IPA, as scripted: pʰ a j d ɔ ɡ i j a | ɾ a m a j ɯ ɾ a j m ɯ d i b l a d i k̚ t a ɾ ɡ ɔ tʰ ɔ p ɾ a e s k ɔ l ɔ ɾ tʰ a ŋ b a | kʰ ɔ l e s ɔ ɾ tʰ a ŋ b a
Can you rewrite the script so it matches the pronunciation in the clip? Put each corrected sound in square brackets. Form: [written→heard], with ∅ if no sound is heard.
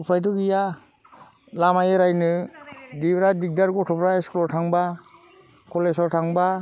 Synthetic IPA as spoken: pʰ a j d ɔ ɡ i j a | [ɾ→l] a m a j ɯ ɾ a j [m→n] ɯ d i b [l→ɾ] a d i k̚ [t→d] a ɾ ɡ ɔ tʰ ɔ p ɾ a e s k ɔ l ɔ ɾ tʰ a ŋ b a | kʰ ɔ l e s ɔ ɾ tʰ a ŋ b a